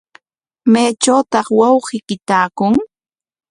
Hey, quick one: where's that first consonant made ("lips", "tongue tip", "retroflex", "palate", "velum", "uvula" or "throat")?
lips